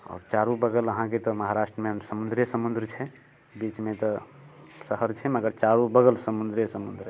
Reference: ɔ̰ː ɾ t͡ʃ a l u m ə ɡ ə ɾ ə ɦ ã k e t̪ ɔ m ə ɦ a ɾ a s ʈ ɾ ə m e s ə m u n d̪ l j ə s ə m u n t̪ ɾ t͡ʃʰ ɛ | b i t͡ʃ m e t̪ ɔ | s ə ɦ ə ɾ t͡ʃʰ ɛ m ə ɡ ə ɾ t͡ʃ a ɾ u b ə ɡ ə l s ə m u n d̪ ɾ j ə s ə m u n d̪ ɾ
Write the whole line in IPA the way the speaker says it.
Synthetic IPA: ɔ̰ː ɾ t͡ʃ a ɾ u b ə ɡ ə l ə ɦ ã k e t̪ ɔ m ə ɦ a ɾ a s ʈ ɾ ə m e s ə m u n d̪ ɾ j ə s ə m u n d̪ ɾ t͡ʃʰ ɛ | b i t͡ʃ m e t̪ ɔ | s ə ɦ ə ɾ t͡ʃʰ ɛ m ə ɡ ə ɾ t͡ʃ a ɾ u b ə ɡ ə l s ə m u n d̪ ɾ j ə s ə m u n d̪ ɾ